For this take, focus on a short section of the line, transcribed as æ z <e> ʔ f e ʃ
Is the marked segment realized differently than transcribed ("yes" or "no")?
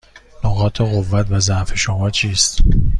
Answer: yes